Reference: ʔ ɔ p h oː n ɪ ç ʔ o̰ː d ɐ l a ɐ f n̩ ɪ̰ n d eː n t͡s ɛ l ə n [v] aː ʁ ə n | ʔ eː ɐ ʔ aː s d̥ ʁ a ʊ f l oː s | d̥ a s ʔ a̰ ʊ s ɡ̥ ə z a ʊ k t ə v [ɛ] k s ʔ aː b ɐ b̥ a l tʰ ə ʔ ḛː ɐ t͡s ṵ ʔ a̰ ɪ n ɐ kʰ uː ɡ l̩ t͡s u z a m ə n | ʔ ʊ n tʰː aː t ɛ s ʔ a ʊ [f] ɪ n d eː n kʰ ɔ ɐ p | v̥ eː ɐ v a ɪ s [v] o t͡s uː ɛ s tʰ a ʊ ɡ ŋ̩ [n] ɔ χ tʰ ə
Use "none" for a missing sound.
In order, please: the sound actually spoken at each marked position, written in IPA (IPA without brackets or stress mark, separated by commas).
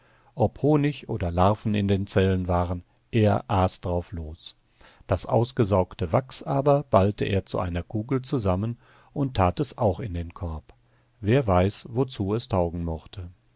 v, a, x, v, m